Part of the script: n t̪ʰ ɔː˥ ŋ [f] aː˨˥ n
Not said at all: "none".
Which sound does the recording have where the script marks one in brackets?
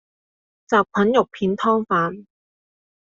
f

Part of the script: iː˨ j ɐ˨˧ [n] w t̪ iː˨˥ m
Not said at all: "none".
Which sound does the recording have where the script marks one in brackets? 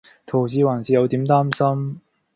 none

